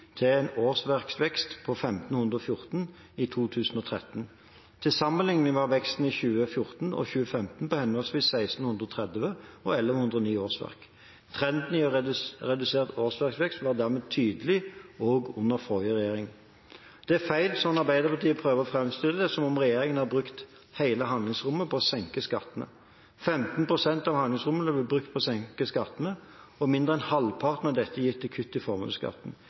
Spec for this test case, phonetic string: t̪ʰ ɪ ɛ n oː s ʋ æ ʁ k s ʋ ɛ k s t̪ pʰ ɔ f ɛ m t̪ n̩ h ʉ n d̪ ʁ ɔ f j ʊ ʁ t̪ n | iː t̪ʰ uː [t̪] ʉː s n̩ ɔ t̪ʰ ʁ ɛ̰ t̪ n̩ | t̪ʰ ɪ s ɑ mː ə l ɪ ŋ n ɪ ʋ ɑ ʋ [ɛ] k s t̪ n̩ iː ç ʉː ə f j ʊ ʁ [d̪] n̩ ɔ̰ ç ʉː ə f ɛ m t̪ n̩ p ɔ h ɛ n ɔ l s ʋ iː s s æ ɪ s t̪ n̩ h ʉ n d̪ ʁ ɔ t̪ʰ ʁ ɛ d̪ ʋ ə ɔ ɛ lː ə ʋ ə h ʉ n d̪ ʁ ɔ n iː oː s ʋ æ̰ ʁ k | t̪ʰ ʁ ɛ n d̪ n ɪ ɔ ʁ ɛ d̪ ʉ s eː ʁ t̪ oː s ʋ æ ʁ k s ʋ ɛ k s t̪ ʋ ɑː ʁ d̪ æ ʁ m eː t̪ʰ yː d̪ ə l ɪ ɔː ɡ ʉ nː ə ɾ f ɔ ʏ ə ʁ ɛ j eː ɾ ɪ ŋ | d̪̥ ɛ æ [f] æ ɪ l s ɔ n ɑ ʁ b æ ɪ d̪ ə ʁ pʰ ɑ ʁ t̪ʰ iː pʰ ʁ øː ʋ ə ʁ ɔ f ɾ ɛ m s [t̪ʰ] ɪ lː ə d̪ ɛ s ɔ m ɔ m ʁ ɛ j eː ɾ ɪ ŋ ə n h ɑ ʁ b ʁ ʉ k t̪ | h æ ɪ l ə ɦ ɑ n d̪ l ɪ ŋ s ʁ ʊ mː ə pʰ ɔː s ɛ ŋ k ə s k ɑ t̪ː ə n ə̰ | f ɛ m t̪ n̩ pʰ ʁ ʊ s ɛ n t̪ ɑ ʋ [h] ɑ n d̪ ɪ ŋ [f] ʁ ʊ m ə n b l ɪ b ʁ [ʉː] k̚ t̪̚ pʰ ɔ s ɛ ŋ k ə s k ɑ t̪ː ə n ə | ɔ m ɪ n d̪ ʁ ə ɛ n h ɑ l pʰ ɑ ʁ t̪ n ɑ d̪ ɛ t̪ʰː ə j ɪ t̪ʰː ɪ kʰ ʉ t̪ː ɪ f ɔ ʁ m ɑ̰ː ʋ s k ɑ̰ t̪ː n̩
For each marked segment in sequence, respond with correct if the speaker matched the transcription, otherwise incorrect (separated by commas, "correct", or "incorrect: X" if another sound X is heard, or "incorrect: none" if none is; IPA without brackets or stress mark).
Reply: incorrect: t̪ʰ, correct, incorrect: t̪, correct, incorrect: t̪, correct, incorrect: s, incorrect: ʉ